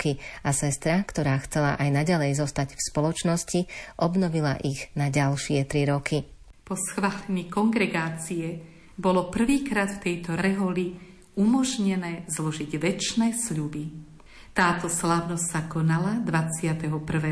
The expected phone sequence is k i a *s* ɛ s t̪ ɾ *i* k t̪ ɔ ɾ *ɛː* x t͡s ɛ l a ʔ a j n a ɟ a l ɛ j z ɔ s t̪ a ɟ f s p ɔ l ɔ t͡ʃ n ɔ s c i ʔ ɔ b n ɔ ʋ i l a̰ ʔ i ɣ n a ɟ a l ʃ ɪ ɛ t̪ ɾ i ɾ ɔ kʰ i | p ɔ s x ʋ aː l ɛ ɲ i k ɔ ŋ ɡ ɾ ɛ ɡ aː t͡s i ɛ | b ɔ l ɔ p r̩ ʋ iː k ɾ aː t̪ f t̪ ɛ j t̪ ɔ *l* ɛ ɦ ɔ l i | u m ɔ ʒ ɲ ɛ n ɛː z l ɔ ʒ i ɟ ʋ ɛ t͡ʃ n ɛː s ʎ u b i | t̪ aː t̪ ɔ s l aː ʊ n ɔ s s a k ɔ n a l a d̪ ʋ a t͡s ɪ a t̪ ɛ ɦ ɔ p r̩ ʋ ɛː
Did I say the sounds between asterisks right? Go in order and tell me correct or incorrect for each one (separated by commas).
correct, incorrect, incorrect, incorrect